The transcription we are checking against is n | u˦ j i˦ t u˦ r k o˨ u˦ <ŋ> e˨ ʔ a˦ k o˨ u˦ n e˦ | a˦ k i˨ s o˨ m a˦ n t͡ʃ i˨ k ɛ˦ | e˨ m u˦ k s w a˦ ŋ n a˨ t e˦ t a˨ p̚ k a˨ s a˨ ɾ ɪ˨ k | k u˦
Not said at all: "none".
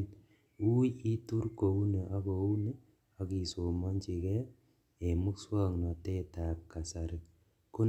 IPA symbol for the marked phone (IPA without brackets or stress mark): n